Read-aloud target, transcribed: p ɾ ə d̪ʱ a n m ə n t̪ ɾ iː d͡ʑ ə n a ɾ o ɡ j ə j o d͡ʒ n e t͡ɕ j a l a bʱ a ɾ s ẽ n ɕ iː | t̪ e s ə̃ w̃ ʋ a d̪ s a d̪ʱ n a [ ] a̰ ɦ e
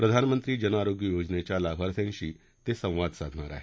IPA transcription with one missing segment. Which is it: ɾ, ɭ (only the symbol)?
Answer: ɾ